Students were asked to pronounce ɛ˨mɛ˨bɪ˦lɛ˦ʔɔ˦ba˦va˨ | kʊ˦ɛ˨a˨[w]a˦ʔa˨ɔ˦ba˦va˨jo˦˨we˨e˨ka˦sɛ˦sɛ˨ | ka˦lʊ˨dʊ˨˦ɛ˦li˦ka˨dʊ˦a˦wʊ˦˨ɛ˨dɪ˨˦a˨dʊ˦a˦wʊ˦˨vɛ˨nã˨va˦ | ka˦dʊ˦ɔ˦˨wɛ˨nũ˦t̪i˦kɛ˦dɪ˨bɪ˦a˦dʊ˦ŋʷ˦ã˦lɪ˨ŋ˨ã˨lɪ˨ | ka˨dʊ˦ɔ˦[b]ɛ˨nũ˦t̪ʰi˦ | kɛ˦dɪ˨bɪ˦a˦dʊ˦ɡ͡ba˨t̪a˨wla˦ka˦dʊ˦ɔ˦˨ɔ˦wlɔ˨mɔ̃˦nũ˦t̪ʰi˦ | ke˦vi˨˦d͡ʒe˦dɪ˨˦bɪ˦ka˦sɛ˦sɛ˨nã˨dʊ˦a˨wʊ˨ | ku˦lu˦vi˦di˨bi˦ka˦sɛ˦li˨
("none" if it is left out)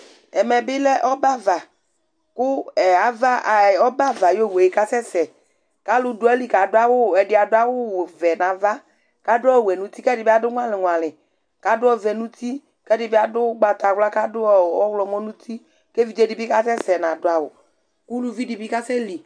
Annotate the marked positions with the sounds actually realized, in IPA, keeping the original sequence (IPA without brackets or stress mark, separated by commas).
v, v